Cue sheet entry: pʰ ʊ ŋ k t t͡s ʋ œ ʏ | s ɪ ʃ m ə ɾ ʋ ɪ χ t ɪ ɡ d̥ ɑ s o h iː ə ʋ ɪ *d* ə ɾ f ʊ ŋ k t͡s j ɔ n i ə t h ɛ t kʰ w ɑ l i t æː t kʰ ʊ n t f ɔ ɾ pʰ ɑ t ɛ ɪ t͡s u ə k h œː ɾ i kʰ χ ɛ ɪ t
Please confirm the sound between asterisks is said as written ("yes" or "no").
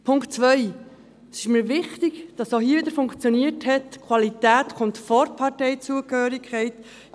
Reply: yes